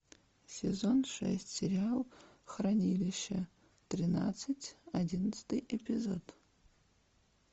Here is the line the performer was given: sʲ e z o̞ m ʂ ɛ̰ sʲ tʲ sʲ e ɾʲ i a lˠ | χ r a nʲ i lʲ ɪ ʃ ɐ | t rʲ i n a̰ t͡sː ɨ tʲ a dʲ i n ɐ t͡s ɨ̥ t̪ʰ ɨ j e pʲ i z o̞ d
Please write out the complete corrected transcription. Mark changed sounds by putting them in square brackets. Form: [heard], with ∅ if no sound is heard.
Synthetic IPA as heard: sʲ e z o̞ [n] ʂ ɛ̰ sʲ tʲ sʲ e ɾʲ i a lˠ | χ r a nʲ i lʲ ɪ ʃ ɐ | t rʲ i n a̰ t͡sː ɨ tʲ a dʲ i n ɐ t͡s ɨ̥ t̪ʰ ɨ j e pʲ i z o̞ d